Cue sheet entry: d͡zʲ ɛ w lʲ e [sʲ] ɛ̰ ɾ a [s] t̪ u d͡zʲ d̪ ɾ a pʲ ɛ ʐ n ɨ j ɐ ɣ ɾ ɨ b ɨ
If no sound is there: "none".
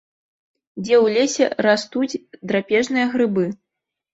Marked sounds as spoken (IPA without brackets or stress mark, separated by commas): sʲ, s